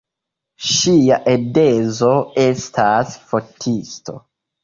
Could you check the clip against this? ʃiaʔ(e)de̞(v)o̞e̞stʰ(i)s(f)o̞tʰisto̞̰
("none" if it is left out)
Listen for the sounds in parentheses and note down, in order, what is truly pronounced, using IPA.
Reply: e, z, a, f

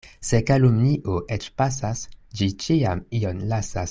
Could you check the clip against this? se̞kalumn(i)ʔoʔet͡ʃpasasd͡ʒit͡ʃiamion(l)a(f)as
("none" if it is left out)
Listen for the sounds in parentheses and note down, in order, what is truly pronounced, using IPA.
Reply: i, l, s

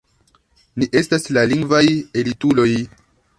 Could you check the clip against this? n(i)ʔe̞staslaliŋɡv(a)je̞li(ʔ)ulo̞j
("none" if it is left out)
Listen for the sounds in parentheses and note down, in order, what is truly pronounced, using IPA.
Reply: i, a, t

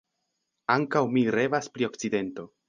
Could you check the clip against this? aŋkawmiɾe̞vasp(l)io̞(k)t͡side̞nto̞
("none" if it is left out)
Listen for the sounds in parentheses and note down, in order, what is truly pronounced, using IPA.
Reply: ɾ, k

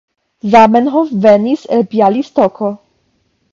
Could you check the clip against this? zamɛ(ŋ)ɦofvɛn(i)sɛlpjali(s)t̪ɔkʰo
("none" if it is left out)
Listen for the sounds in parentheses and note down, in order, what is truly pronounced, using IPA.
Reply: n, i, s

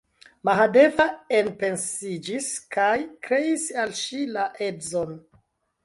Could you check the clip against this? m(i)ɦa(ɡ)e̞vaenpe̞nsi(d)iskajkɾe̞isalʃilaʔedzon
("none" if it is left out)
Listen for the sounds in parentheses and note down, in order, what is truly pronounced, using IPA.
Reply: a, d, d͡ʒ

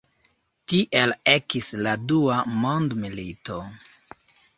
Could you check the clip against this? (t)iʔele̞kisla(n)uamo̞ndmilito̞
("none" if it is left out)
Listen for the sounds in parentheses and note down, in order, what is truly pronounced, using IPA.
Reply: t, d

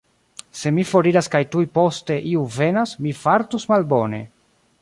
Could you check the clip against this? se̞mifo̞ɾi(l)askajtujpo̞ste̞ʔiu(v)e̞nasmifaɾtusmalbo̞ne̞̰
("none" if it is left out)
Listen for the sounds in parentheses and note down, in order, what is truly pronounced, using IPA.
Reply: ɾ, v

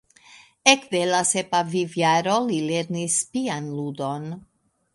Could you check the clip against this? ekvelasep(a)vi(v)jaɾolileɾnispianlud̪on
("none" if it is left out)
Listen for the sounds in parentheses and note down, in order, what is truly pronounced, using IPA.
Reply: a, v

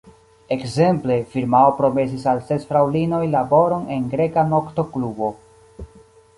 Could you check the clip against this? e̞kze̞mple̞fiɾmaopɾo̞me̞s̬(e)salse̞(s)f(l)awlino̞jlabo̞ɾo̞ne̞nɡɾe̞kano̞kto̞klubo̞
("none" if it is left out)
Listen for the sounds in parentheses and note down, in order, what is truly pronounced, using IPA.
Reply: i, s, ɾ

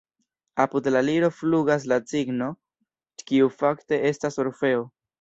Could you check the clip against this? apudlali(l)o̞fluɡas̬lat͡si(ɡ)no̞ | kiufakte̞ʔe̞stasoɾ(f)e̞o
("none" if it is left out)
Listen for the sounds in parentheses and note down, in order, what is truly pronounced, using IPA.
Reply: ɾ, ɡ, f

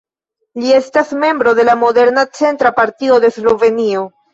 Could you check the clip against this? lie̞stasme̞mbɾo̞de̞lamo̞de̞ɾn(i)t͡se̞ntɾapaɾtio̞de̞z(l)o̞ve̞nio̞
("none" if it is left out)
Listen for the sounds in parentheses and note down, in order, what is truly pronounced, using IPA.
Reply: a, l

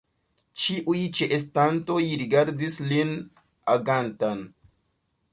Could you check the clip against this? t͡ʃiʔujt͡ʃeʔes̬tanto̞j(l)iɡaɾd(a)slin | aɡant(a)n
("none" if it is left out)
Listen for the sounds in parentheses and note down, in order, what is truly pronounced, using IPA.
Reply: ɾ, i, a

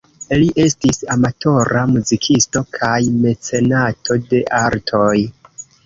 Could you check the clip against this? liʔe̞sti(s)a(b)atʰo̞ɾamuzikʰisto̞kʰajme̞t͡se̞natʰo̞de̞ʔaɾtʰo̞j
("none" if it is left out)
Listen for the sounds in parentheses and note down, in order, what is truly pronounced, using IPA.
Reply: s, m

